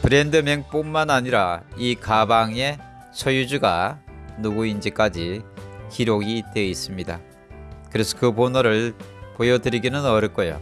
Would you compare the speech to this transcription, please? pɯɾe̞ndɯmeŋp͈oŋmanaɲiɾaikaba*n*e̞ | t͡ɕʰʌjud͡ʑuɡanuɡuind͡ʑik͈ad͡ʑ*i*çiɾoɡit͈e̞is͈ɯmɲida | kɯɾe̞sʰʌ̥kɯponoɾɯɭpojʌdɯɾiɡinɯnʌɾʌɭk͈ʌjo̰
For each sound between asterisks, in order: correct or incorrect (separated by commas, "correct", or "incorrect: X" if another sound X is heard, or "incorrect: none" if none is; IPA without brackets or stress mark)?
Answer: incorrect: ŋ, correct